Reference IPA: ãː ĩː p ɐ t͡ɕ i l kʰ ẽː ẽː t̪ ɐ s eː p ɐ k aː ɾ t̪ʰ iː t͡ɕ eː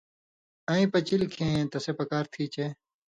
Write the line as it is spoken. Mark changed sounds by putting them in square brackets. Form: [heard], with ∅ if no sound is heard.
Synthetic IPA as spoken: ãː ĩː p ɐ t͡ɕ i l kʰ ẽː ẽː t̪ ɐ s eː p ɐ k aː ɾ t̪ʰ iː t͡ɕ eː